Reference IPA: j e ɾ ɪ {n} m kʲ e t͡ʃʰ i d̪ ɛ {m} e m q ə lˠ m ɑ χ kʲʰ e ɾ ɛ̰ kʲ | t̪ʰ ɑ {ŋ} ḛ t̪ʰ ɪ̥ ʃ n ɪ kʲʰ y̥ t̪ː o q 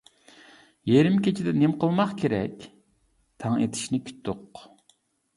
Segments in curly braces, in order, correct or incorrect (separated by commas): incorrect, incorrect, correct